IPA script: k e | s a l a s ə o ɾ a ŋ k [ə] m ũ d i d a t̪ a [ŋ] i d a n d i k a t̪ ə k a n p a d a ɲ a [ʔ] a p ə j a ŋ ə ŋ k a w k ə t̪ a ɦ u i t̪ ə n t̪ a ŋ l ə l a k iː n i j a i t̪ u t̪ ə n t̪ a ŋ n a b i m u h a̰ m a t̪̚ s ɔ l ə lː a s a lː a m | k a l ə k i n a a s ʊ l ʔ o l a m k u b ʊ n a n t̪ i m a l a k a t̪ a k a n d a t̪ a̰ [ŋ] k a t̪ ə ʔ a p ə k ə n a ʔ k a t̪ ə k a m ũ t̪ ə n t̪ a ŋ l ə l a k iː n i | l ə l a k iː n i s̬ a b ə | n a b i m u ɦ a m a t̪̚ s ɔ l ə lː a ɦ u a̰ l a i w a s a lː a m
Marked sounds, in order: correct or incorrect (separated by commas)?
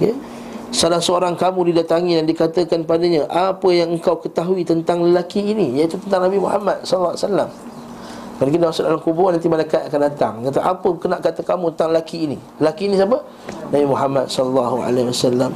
incorrect, correct, correct, correct